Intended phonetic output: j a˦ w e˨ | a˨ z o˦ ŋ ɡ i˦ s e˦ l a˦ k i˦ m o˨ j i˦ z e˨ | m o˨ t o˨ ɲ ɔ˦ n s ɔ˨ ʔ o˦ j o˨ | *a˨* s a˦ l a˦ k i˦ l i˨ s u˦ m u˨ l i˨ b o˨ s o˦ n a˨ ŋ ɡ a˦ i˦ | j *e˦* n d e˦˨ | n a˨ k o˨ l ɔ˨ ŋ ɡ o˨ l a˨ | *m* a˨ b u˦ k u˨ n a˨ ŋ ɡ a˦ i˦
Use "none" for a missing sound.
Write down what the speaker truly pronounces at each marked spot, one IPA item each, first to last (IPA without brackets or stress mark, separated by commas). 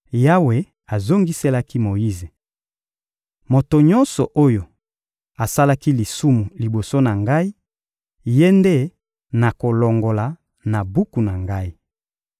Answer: a˨, e˦, n